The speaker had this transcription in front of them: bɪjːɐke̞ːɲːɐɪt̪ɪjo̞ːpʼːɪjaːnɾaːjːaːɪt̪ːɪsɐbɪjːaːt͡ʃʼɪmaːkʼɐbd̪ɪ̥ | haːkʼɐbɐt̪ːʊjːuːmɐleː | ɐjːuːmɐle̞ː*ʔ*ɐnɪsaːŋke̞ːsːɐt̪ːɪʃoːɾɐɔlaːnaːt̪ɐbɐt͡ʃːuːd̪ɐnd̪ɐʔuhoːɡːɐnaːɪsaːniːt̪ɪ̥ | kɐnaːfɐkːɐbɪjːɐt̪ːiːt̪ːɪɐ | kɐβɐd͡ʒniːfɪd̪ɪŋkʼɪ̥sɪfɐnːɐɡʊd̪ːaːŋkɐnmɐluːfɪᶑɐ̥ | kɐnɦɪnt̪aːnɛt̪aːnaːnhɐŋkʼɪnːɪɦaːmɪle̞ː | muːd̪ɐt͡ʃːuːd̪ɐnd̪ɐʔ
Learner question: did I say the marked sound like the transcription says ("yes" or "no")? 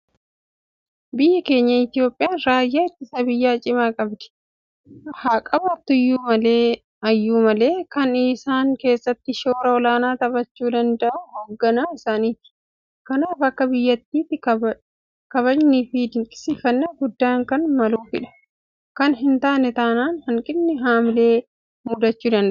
no